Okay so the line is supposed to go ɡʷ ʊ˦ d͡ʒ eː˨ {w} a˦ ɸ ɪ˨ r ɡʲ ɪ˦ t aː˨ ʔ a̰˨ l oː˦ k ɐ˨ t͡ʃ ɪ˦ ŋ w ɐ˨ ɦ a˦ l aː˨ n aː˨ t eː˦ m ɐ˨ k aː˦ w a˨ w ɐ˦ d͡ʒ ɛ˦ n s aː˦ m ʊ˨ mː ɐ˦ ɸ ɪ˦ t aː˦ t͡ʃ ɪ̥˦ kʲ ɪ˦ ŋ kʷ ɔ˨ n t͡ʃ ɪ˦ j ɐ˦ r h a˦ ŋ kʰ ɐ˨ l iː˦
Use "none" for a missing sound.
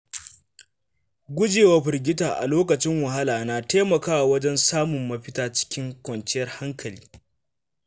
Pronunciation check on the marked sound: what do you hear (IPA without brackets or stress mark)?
w